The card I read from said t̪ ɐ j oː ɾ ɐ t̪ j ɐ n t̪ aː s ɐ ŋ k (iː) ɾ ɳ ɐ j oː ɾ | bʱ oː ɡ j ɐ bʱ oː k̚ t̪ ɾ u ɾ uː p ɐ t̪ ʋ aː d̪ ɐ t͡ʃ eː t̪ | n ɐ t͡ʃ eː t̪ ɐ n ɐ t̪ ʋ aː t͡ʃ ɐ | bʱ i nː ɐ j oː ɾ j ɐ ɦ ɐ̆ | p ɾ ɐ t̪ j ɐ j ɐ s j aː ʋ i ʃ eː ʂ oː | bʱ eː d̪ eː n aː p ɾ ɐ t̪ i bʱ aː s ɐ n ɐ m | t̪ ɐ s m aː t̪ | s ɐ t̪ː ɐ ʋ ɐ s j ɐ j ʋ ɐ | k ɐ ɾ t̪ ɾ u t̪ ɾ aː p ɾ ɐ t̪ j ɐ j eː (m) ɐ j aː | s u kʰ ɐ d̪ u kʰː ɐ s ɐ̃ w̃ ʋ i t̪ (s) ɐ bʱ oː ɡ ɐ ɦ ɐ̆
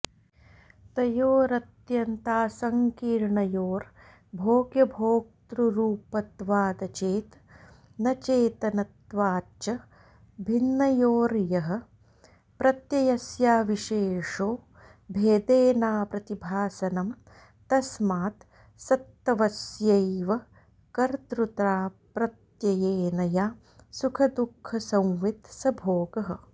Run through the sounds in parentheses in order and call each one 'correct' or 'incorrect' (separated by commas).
correct, incorrect, correct